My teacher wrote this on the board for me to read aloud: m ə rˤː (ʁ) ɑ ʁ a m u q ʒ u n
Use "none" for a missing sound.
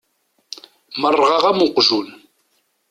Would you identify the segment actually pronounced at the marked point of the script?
ʁ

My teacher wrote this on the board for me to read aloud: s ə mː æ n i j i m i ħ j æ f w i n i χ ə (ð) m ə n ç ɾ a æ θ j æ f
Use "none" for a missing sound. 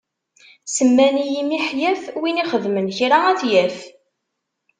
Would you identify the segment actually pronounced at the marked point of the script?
ð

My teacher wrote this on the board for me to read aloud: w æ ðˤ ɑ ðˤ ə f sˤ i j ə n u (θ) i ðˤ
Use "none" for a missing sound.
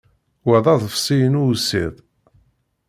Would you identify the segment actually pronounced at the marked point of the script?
s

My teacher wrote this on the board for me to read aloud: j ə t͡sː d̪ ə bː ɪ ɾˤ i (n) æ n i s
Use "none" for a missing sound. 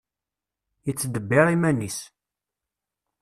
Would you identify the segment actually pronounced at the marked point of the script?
m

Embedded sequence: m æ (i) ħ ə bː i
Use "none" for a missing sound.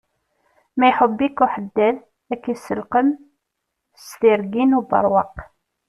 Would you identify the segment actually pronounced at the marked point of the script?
j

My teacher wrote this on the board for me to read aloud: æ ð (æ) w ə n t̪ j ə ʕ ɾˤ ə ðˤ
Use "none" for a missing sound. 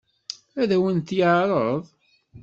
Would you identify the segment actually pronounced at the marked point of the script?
æ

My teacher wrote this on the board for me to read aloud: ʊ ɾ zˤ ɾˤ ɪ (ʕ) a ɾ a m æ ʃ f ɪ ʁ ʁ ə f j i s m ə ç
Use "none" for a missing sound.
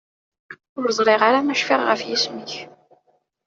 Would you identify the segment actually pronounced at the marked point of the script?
ʁ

